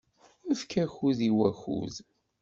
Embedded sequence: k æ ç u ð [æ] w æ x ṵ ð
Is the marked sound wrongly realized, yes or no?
yes